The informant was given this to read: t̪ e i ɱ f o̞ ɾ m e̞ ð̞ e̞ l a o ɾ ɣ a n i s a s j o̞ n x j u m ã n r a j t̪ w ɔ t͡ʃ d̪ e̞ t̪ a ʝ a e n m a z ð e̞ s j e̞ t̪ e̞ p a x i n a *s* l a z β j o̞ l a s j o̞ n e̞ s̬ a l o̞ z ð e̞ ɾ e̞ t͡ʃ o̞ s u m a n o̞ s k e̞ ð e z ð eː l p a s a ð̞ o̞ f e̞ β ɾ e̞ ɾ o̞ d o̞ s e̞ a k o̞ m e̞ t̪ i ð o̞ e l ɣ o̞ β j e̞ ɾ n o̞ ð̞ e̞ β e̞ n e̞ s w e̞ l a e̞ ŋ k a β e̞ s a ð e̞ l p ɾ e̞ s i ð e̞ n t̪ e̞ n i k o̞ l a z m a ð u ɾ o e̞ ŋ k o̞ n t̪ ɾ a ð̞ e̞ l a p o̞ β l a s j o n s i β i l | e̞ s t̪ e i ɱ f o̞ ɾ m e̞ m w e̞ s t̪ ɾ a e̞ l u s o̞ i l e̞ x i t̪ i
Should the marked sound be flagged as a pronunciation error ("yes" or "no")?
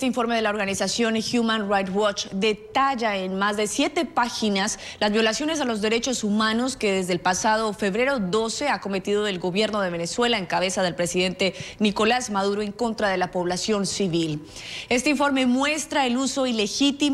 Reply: no